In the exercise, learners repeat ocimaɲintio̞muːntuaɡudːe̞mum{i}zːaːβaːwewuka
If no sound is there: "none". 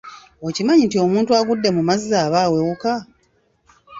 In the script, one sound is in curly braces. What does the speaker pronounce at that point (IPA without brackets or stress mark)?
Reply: a